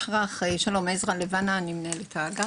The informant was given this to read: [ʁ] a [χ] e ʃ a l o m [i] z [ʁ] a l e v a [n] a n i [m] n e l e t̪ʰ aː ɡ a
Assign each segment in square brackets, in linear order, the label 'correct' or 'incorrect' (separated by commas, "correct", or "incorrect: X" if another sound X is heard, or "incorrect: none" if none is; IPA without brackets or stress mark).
correct, correct, incorrect: e, correct, correct, correct